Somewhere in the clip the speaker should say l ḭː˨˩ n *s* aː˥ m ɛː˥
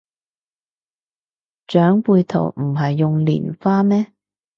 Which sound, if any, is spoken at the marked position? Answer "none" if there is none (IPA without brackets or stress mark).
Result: f